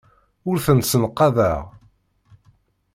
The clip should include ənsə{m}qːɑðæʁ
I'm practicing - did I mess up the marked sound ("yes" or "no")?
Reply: yes